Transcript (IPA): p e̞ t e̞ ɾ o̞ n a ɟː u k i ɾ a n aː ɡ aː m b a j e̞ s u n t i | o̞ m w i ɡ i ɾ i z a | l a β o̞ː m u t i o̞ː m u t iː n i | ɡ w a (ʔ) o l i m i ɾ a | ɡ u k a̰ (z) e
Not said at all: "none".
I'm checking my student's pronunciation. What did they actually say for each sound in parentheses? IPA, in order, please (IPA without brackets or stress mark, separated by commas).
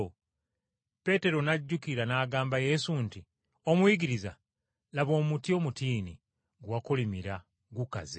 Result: k, z